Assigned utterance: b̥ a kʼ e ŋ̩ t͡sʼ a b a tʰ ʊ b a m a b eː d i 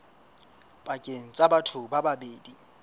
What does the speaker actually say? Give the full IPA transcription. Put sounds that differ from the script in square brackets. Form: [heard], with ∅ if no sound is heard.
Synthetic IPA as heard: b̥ a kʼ e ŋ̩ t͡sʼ a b a tʰ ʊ b a [b] a b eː d i